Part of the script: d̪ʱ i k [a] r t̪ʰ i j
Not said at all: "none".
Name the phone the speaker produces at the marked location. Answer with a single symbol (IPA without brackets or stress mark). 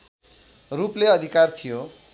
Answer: a